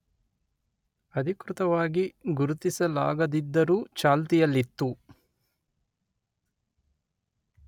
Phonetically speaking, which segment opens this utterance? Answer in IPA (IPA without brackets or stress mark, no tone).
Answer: ɐ